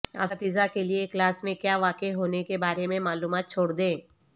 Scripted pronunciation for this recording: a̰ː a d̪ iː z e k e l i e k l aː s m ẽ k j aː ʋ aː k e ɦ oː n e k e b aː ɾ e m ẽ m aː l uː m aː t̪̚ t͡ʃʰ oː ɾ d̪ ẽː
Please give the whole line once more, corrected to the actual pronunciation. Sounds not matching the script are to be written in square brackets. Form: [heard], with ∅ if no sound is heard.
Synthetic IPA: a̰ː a [t̪] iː z [a] k e l i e k l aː s m ẽ k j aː ʋ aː k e ɦ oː n e k e b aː ɾ e m ẽ m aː l uː m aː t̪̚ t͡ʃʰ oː [ɽ] d̪ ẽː